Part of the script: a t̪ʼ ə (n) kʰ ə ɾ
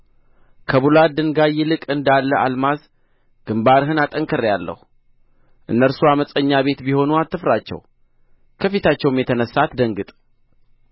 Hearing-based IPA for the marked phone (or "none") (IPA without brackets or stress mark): ŋ